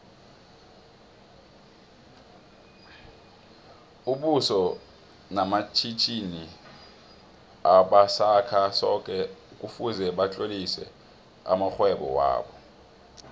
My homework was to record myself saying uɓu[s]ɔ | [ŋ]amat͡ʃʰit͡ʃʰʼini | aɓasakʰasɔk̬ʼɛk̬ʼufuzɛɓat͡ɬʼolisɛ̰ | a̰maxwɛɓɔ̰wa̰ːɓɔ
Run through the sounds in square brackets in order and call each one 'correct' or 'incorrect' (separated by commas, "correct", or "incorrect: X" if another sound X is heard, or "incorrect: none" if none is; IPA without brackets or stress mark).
correct, incorrect: n